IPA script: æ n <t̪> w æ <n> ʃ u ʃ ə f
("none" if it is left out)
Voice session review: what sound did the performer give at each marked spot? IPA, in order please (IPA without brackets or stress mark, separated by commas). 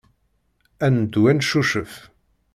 d̪, n